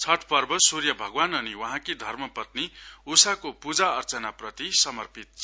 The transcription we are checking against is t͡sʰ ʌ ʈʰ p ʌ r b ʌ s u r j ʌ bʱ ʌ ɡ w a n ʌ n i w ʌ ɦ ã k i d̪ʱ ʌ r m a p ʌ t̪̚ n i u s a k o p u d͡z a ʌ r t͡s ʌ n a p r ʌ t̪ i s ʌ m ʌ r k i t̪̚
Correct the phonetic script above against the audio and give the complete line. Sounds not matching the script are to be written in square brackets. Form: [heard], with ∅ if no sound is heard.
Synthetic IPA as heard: t͡sʰ ʌ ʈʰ p ʌ r b ʌ s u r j ʌ bʱ ʌ ɡ w a n ʌ n i w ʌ ɦ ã k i d̪ʱ ʌ r m [ʌ] p ʌ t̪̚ n i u s a k o p u d͡z a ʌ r t͡s ʌ n a p r ʌ t̪ i s ʌ m ʌ r [p] i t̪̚